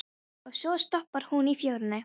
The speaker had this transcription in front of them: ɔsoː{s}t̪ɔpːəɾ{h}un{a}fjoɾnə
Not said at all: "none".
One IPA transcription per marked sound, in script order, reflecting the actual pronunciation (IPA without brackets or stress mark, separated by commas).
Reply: s, h, i